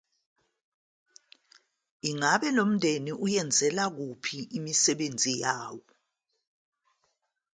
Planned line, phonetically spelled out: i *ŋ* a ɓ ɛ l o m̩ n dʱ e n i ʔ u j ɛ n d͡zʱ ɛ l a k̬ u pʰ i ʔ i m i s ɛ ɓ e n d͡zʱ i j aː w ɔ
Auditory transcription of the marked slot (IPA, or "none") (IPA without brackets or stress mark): ŋ